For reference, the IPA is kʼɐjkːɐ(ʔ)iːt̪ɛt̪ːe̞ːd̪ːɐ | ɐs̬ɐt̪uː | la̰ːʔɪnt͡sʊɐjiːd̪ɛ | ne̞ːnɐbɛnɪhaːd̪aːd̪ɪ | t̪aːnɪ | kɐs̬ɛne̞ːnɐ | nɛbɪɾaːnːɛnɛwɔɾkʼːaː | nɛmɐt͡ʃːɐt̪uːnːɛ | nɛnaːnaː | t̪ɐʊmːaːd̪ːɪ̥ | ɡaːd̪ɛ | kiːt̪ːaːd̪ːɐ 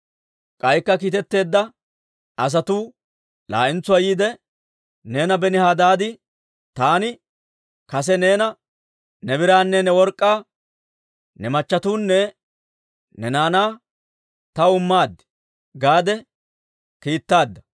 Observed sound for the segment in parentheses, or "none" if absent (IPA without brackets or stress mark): k